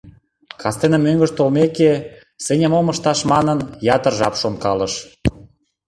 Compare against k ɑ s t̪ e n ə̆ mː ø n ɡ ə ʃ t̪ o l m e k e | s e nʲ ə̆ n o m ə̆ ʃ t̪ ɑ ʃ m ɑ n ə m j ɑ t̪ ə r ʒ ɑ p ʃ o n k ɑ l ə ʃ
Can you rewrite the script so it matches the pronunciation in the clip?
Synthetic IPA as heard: k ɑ s t̪ e n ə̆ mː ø ŋ ɡ ə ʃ t̪ o l m e k e | s e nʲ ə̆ m o m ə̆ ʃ t̪ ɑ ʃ m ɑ n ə n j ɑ t̪ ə r ʒ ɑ p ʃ o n k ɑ l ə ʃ